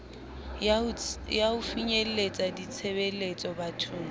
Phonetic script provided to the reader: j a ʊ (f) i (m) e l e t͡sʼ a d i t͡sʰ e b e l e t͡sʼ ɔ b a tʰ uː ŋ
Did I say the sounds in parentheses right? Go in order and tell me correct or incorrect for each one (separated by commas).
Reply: correct, incorrect